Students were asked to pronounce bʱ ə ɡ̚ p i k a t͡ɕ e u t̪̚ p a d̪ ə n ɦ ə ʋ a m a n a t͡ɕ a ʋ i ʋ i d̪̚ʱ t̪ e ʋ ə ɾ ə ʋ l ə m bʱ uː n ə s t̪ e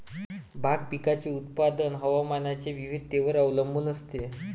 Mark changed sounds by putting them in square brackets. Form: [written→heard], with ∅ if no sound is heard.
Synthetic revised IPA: bʱ [ə→a] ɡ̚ p i k a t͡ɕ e u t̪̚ p a d̪ ə n ɦ ə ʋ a m a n a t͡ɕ [a→e] ʋ i ʋ i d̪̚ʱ t̪ e ʋ ə ɾ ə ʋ l ə m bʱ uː n ə s t̪ e